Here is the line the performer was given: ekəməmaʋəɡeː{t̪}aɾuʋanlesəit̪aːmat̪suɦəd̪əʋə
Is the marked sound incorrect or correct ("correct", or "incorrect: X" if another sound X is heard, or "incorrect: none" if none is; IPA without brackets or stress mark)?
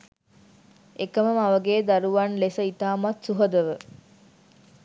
incorrect: d̪